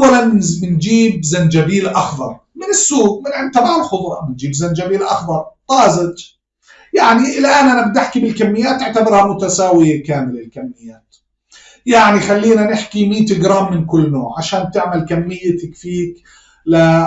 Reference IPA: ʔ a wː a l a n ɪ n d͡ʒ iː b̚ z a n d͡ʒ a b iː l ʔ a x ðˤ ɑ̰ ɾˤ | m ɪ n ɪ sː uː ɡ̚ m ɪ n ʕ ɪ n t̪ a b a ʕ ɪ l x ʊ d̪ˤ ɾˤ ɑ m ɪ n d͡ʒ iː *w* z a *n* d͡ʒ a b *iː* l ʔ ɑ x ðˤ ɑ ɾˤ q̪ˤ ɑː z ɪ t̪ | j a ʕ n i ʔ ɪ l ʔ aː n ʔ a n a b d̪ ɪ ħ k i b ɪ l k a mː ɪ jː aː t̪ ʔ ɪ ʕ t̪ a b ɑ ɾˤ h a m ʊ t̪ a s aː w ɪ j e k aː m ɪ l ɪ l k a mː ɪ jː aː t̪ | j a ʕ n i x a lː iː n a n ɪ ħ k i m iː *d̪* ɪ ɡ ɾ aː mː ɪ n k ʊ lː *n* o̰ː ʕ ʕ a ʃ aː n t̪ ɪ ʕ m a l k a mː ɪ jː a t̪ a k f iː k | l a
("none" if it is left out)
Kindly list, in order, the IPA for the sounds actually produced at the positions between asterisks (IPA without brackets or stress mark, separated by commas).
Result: b, n, iː, t̪, n